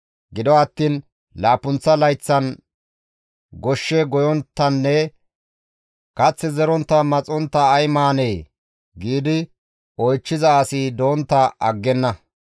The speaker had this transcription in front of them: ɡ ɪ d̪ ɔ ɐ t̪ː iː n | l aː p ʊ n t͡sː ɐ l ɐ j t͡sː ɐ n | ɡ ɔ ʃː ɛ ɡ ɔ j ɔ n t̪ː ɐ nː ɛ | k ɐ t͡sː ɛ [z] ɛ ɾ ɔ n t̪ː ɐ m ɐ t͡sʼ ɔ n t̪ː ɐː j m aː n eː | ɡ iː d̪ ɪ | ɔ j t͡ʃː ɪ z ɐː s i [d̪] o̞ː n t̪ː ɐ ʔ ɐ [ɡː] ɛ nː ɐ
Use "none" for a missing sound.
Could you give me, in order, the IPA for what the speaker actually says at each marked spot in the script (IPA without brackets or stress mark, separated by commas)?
z, d̪, ɡː